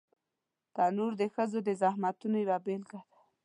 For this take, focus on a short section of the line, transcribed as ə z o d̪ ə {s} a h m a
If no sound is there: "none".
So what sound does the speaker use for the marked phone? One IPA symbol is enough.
z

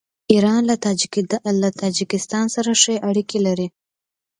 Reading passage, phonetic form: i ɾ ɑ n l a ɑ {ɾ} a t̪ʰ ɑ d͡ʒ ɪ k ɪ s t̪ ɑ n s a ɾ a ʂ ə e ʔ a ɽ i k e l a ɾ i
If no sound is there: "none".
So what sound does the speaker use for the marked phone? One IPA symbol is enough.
l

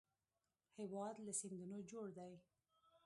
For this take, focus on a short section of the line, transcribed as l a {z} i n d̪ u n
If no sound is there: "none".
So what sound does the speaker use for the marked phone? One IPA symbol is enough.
s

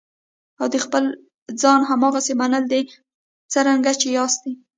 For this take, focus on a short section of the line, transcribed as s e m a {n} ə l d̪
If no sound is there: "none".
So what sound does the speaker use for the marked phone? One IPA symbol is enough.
n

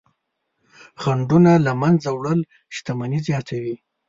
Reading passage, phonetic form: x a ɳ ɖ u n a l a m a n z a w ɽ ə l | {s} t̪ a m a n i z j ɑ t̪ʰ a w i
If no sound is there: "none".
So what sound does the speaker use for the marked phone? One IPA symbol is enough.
ʃ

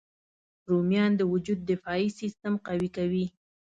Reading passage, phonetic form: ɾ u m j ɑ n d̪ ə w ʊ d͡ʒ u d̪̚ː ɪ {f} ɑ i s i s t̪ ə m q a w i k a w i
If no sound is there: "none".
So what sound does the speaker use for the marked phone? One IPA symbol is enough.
f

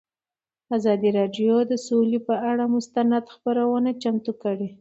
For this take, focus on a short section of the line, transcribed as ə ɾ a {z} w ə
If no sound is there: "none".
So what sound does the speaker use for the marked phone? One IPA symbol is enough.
none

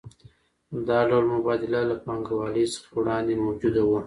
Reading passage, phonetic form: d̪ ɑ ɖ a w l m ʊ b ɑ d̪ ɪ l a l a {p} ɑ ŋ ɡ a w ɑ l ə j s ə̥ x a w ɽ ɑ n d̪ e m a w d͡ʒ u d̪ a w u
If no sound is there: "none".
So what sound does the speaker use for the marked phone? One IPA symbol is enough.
p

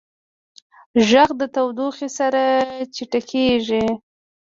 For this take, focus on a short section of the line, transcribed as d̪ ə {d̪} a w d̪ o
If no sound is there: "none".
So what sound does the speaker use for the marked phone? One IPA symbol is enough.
t̪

